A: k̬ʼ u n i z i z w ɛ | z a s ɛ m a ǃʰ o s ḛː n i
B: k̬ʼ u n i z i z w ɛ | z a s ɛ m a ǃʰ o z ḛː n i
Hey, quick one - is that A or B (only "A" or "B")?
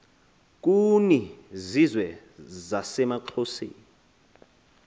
A